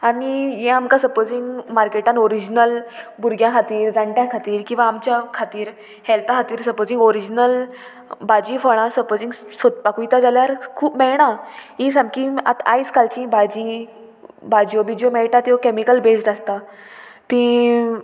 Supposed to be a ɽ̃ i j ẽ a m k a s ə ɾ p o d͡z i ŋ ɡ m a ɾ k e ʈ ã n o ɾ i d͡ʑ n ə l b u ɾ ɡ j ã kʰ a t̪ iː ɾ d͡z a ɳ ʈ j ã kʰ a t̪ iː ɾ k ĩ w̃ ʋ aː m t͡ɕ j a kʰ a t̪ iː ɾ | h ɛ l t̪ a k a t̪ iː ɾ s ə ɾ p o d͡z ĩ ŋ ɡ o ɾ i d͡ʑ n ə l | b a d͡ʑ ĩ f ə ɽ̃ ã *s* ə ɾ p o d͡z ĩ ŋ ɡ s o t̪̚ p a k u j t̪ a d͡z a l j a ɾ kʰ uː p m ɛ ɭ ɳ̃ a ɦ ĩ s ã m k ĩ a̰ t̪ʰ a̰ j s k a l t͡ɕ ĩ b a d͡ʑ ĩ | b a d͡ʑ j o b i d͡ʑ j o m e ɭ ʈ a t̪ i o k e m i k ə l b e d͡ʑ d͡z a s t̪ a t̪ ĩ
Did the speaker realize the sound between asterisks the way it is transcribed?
yes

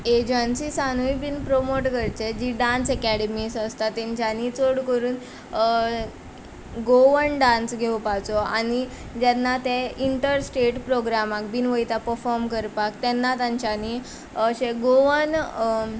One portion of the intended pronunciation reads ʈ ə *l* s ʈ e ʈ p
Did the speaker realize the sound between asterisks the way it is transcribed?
no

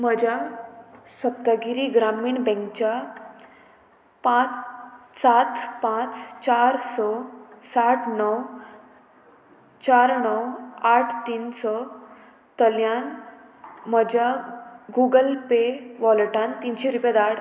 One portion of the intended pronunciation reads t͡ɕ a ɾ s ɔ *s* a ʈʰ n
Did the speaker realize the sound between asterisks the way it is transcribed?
yes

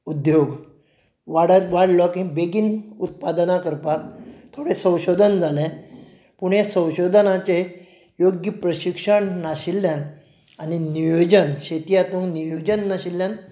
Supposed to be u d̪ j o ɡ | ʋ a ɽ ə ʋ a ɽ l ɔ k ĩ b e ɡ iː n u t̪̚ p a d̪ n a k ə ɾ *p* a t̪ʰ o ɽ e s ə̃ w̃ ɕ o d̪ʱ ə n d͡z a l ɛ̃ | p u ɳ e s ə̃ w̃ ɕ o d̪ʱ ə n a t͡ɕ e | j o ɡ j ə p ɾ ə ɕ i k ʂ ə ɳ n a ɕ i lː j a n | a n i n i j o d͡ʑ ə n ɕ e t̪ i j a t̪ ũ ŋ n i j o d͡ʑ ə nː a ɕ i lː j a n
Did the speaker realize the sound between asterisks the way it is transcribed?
yes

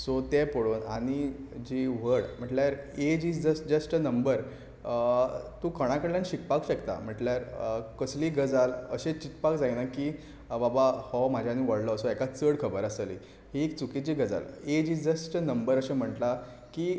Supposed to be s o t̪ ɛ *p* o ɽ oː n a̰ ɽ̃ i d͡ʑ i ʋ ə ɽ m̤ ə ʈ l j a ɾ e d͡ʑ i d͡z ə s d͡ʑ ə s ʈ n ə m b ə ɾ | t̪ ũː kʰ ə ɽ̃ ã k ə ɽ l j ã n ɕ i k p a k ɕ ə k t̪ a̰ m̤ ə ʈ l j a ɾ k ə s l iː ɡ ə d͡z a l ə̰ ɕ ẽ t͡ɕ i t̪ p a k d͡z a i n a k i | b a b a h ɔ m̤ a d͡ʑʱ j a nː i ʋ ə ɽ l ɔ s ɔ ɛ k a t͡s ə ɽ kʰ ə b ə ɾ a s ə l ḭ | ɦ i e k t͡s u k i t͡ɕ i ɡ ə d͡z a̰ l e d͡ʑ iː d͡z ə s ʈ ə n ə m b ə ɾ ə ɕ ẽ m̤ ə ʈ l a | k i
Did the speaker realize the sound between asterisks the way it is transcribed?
yes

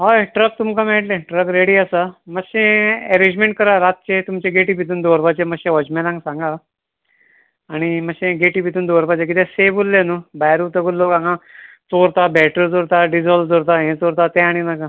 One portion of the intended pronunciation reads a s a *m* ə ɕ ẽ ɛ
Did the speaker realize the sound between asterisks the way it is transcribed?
yes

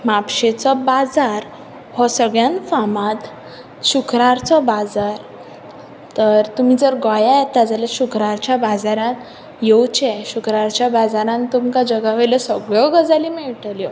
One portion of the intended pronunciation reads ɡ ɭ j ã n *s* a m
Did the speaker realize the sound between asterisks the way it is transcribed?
no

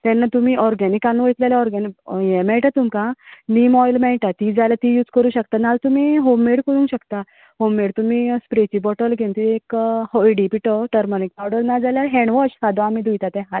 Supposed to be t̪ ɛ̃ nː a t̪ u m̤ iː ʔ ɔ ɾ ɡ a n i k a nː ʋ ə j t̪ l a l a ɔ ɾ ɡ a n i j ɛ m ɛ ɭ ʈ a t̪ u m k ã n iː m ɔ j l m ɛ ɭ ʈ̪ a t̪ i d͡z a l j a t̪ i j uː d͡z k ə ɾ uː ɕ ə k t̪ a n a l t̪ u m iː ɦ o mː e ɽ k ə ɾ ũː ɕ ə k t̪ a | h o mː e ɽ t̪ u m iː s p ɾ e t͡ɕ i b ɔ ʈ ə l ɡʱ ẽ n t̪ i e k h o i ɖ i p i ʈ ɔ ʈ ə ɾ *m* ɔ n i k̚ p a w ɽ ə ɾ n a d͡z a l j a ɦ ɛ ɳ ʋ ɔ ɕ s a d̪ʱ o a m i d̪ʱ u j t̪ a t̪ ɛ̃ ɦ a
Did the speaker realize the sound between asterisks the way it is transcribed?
yes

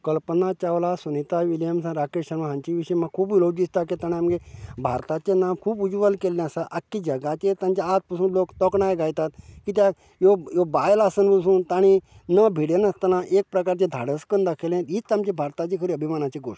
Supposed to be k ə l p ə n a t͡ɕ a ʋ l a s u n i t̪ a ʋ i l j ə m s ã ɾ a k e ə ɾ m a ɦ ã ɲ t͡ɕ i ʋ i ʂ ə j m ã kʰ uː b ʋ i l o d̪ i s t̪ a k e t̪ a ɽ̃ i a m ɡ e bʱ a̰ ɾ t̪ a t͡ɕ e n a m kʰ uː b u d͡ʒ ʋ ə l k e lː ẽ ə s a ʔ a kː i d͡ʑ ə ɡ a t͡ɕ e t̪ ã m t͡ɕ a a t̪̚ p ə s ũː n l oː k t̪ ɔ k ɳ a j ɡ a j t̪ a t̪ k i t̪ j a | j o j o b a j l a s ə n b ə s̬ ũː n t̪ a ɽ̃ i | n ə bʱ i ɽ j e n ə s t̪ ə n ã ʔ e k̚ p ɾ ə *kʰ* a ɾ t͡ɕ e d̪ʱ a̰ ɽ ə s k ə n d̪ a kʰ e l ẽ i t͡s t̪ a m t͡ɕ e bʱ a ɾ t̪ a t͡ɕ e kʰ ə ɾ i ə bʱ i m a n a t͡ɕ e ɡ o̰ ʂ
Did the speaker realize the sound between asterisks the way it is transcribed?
no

